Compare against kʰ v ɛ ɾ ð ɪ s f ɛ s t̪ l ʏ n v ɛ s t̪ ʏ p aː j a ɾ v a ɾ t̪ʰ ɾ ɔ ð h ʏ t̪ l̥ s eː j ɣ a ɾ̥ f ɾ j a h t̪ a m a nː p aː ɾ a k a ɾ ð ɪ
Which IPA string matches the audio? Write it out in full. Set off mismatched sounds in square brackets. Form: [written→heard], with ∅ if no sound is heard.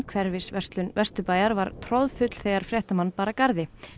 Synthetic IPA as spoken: kʰ v ɛ ɾ [ð→v] ɪ s [f→v] ɛ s t̪ l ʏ n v ɛ s t̪ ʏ p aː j a ɾ v a ɾ t̪ʰ ɾ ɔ ð [h→f] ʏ t̪ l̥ [s→θ] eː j ɣ a ɾ̥ f ɾ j [a→ɛ] h t̪ a m a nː p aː ɾ a k a ɾ ð ɪ